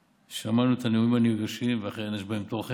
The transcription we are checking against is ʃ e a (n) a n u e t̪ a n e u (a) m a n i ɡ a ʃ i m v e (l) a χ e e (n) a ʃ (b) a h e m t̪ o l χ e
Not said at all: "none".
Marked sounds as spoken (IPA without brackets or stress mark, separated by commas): m, i, none, n, b